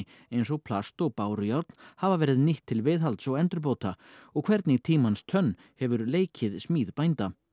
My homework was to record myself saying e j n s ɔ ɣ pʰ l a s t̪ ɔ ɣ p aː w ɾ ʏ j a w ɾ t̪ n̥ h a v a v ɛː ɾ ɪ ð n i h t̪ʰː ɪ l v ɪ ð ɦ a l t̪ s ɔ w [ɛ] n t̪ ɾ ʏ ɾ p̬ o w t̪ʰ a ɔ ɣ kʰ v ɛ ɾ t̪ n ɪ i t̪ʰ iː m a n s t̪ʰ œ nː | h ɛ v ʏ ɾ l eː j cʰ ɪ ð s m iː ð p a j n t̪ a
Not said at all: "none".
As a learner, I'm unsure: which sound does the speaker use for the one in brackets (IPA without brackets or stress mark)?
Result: ɛ